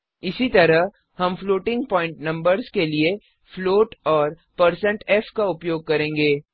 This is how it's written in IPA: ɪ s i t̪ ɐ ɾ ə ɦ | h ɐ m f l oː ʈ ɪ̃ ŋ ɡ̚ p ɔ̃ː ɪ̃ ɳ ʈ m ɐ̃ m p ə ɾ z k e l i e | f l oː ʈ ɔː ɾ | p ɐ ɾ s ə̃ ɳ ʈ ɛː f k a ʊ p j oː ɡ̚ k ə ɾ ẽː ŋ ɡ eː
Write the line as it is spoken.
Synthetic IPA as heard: ɪ s i t̪ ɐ ɾ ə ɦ | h ɐ m f l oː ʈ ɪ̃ ŋ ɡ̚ p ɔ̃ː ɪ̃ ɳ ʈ n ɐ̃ m b ə ɾ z k e l i e | f l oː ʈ ɔː ɾ | p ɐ ɾ s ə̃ ɳ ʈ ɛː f k a ʊ p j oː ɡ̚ k ɐ ɾ ẽː ŋ ɡ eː